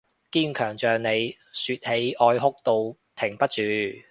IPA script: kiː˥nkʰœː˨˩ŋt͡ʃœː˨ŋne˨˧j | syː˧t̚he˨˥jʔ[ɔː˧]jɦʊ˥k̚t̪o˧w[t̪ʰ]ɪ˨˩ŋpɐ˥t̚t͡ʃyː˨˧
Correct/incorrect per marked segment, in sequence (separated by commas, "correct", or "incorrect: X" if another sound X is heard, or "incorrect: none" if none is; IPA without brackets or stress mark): correct, correct